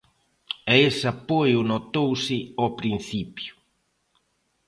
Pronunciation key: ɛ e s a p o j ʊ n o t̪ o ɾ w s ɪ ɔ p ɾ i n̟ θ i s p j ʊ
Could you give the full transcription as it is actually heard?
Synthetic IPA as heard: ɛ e s a p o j ʊ n o t̪ o w s ɪ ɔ p ɾ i n̟ θ i p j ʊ

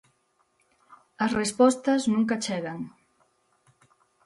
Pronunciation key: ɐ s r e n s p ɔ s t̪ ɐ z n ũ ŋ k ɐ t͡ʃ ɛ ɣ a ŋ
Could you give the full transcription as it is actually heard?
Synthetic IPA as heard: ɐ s r e s p ɔ s t̪ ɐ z n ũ ŋ k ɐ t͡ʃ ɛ ɣ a ŋ

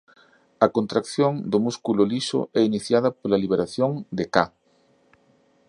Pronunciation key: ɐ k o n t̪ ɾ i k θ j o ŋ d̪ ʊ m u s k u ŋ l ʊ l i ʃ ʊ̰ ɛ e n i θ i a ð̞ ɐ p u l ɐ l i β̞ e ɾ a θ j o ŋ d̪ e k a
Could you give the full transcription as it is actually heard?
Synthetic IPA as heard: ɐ k o n t̪ ɾ a k θ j o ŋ d̪ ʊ m u s k u l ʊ l i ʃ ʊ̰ ɛ i n i θ j a ð̞ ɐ p o l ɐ l i β̞ e ɾ a θ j o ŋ d̪ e k a

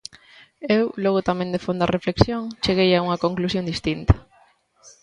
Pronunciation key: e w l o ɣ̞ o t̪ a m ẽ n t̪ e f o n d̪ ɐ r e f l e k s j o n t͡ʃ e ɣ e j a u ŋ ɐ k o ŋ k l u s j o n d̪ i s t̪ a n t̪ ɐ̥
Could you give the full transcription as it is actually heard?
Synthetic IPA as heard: e w l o ɣ̞ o t̪ a m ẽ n d̪ e f o n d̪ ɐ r e f l e k s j o ŋ t͡ʃ e ɣ e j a u ŋ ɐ k o ŋ k l u s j o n d̪ i s t̪ i n t̪ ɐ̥

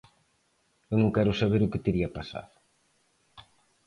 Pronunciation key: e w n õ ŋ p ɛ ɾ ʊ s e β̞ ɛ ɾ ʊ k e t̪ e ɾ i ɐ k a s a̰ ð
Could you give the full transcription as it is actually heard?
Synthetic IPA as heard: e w n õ ŋ k ɛ ɾ ʊ s a β̞ e ɾ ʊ k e t̪ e ɾ i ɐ p a s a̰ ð

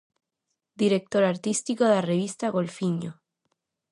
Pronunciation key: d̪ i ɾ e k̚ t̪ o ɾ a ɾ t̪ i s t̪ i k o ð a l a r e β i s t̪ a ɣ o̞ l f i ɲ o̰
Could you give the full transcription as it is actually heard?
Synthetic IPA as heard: d̪ i ɾ e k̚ t̪ o ɾ a ɾ t̪ i s t̪ i k o ð e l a r e β i s t̪ a ɣ o̞ l f i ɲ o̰

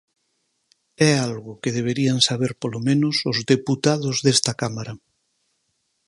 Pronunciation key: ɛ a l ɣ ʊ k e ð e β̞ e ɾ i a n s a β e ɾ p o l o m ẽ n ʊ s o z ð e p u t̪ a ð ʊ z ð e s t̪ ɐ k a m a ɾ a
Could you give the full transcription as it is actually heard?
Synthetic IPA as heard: ɛ a l ɣ ʊ k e ð e β̞ e ɾ i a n s a β e ɾ p o l o m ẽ n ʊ s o z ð e p u t̪ a ð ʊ z ð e s t̪ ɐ k a m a ɾ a

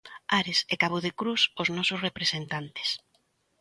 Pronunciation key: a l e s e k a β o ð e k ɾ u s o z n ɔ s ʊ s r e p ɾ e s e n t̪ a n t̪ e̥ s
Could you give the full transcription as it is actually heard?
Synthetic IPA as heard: a ɾ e s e k a β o ð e k ɾ u s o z n ɔ s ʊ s r e p ɾ e s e n t̪ a n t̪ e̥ s

